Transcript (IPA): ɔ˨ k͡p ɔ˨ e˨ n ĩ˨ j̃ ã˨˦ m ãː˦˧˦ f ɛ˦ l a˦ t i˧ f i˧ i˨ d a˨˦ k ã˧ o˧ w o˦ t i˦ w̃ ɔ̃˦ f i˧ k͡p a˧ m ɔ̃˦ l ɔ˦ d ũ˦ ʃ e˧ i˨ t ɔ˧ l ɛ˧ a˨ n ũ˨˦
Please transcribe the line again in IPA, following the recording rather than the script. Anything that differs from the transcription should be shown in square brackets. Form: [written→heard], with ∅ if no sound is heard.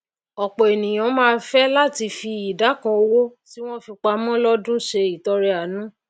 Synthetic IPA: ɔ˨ k͡p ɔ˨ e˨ n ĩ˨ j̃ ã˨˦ m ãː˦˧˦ f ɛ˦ l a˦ t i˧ f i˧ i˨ d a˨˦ k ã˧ o˧ w o˦ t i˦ w̃ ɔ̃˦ f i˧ k͡p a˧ m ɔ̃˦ l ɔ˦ d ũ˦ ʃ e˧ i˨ t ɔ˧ [l→ɾ] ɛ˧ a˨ n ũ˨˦